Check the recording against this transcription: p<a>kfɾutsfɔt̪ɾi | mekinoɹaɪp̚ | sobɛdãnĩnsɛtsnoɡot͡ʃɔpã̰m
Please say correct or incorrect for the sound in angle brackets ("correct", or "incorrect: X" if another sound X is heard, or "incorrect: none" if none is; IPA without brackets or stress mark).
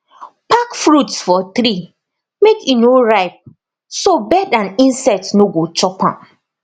correct